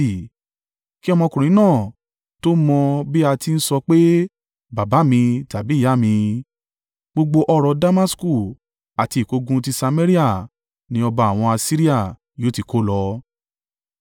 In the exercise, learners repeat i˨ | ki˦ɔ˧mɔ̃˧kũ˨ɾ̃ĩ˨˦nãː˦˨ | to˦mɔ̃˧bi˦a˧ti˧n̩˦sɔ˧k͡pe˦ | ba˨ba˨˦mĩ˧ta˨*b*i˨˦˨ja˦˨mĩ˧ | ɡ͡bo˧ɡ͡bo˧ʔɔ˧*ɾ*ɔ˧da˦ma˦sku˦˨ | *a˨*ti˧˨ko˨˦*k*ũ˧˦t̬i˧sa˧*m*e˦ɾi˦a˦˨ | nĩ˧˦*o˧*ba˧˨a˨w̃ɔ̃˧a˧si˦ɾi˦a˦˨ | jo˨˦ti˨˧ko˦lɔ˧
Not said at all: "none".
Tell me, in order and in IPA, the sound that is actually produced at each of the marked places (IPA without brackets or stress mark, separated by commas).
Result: b, ɾ, a˨, ɡ, m, ɔ˧